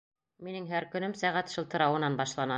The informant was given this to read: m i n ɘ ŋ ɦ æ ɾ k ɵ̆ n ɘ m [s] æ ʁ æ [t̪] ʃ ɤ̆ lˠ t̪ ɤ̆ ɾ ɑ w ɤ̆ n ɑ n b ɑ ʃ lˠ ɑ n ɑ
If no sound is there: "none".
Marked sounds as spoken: s, t̪

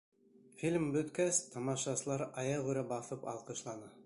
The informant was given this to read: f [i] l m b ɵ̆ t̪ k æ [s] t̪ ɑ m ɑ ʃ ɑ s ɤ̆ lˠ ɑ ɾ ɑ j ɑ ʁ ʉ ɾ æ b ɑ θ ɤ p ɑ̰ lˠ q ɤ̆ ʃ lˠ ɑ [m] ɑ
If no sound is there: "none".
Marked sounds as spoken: i, s, n

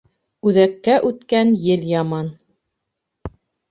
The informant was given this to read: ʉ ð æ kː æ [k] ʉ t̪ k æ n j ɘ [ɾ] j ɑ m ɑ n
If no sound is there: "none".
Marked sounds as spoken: ʔ, l

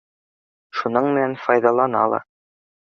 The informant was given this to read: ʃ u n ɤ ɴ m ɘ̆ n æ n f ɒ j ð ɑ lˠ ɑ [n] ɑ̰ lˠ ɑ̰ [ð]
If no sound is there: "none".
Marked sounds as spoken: n, none

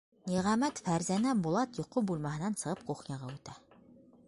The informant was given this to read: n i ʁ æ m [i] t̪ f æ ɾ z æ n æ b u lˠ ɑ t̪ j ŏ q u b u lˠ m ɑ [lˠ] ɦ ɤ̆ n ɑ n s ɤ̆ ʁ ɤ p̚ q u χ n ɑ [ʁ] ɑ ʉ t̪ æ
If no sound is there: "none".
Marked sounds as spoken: æ, none, ʁ

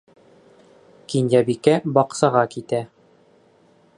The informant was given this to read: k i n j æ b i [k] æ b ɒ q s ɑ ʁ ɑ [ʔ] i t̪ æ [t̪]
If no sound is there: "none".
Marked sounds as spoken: k, k, none

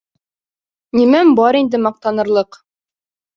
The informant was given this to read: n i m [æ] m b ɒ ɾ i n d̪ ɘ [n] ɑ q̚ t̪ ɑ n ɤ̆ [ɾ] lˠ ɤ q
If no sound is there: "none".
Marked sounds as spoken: æ, m, ɾ

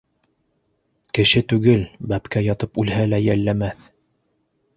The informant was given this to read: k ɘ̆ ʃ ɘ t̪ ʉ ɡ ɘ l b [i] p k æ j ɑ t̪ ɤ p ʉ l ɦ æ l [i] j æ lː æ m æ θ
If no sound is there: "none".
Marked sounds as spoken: æ, æ

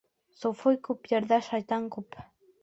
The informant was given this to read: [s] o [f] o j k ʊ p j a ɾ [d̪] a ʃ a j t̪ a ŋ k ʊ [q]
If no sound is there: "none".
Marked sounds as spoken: s, f, d̪, p

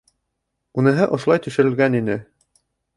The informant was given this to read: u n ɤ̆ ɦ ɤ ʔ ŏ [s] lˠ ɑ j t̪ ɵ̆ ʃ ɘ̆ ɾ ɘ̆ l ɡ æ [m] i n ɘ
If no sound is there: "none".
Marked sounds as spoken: ʃ, n

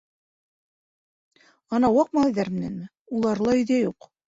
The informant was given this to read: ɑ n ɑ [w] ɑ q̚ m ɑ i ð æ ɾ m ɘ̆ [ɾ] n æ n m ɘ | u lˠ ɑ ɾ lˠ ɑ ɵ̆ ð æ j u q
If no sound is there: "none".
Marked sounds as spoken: w, none

